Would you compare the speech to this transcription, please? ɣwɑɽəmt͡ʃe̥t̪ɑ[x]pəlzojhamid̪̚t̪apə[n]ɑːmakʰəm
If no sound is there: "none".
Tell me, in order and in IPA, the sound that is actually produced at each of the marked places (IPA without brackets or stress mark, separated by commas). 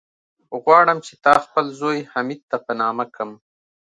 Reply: x, n